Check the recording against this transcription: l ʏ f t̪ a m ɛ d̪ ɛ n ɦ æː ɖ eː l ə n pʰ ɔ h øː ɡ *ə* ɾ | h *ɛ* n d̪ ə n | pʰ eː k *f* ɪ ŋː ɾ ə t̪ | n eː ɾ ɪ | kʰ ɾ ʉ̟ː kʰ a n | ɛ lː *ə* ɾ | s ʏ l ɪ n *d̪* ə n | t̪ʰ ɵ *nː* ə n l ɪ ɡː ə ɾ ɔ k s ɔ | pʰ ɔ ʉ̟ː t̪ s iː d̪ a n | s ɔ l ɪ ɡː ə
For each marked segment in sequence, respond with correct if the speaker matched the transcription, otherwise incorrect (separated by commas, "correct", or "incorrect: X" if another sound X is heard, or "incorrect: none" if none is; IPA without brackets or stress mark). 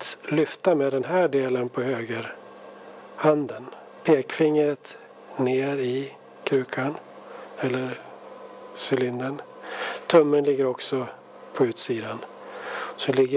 correct, incorrect: a, correct, correct, correct, incorrect: mː